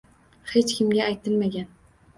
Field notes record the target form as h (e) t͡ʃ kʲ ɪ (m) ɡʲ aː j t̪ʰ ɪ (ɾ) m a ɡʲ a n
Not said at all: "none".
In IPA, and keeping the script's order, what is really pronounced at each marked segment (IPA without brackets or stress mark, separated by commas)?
e, m, l